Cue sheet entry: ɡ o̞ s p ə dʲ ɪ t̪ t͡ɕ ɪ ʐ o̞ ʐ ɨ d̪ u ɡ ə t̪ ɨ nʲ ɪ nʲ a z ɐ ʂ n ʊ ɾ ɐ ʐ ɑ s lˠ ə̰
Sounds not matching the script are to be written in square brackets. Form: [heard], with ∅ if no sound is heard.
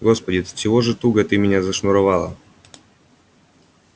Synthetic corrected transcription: ɡ o̞ s p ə dʲ ɪ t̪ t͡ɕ ɪ [v] o̞ ʐ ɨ [t̪] u ɡ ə t̪ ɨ [mʲ] ɪ nʲ a z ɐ ʂ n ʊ ɾ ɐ [v] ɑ [∅] lˠ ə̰